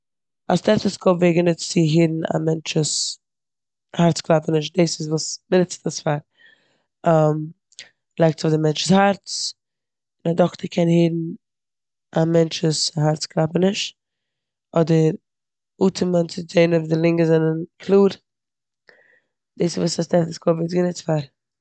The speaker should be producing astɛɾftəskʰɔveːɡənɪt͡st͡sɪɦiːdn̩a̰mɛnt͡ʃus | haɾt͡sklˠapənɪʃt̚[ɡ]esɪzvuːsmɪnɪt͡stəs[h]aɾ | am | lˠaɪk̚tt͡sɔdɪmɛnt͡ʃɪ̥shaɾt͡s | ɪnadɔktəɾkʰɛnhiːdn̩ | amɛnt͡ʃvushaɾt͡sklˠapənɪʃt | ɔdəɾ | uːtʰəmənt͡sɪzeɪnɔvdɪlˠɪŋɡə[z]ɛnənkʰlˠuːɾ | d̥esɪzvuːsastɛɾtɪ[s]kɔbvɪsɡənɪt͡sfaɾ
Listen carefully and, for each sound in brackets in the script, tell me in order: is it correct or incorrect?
incorrect: d, incorrect: f, correct, correct

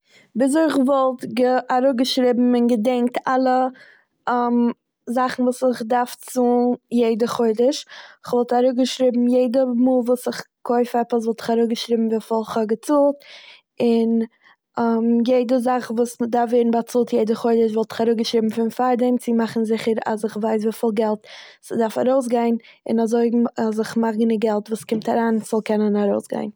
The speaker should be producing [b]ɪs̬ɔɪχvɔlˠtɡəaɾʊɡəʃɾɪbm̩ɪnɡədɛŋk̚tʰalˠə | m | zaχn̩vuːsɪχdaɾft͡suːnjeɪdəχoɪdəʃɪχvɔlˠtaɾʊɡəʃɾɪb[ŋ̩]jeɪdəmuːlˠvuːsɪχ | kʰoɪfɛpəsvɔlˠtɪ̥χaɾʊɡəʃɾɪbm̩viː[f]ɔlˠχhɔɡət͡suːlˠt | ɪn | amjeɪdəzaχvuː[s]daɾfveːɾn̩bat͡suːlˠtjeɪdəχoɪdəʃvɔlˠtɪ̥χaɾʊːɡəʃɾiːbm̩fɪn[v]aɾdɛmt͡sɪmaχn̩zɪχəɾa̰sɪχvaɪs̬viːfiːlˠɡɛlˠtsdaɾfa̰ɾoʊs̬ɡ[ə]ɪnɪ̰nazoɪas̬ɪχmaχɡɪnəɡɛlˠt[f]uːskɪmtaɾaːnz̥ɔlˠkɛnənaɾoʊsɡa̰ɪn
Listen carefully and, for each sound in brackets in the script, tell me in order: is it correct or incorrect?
correct, incorrect: m̩, correct, correct, incorrect: f, incorrect: a, incorrect: v

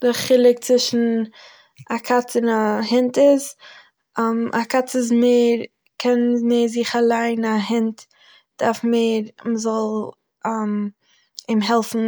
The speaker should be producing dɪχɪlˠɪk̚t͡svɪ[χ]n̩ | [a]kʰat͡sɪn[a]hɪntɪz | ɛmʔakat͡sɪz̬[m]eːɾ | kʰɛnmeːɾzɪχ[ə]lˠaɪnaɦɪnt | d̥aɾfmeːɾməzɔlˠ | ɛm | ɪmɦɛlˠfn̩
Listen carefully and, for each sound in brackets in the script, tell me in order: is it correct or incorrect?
incorrect: ʃ, correct, correct, correct, incorrect: a

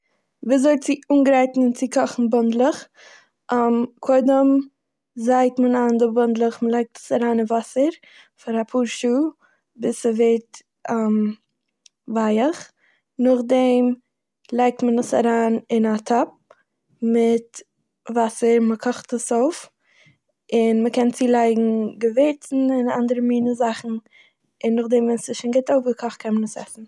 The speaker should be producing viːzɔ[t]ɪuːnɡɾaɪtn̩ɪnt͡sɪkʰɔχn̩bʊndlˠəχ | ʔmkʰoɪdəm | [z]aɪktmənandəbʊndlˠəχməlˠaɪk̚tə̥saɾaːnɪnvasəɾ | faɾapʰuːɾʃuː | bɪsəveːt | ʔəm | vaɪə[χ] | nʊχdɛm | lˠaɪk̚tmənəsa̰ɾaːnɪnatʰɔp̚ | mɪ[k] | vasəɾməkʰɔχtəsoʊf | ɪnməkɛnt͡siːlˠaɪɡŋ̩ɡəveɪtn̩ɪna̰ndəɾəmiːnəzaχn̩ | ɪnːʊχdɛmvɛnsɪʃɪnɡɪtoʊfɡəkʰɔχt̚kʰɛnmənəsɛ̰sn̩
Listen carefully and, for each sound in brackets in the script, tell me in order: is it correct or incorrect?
incorrect: t͡s, correct, correct, incorrect: t

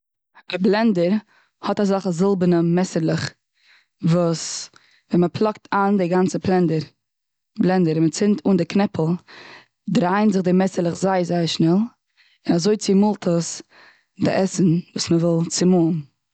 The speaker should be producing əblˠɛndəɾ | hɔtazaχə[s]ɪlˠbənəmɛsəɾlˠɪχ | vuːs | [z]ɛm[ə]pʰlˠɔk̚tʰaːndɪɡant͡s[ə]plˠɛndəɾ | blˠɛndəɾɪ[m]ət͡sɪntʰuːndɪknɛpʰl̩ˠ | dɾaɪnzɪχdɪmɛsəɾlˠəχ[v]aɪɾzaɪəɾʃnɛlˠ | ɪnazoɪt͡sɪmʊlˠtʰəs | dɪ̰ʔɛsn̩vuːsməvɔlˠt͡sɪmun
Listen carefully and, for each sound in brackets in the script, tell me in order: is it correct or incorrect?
incorrect: z, incorrect: v, correct, correct, correct, incorrect: z

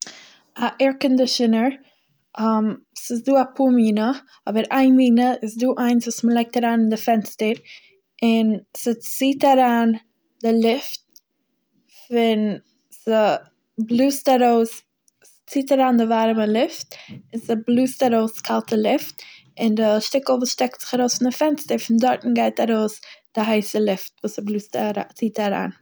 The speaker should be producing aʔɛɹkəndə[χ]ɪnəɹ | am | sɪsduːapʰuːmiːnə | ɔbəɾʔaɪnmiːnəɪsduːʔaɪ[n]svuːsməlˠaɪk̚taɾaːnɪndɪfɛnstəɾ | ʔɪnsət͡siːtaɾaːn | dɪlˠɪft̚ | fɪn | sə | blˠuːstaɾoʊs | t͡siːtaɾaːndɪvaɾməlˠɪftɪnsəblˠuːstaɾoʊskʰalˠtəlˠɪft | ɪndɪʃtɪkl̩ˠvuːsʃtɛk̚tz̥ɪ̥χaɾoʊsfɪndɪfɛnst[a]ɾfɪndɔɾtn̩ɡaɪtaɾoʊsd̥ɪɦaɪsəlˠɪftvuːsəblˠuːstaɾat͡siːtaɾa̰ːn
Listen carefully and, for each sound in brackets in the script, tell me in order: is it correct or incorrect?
incorrect: ʃ, correct, incorrect: ə

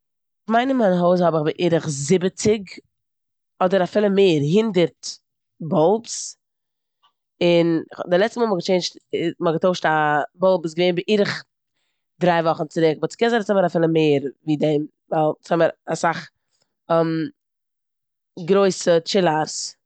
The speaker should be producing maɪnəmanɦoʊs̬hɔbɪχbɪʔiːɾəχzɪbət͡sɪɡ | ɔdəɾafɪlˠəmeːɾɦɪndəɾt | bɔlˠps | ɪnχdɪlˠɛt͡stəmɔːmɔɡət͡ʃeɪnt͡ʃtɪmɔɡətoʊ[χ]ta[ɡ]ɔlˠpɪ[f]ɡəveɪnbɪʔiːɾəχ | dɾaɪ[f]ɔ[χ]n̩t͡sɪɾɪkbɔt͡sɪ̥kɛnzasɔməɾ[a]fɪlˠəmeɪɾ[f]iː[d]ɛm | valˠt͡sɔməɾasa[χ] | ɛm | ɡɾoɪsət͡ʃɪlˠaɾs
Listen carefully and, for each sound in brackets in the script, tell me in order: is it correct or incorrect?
incorrect: ʃ, incorrect: b, incorrect: s, incorrect: v, correct, correct, incorrect: v, correct, correct

